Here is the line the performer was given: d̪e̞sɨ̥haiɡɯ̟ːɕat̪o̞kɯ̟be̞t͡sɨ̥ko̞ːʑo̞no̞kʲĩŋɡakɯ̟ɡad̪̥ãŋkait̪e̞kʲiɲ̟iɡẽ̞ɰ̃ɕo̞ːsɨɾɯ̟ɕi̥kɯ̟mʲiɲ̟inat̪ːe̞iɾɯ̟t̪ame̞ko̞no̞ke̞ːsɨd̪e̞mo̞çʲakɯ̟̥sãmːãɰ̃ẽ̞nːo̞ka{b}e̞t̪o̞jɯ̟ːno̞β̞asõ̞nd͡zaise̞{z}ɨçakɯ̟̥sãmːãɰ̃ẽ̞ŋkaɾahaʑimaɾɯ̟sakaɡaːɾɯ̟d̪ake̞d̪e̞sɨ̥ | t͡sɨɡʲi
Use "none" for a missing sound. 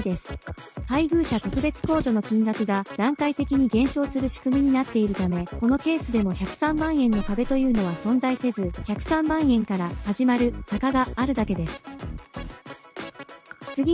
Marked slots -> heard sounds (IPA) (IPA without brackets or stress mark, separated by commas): b, z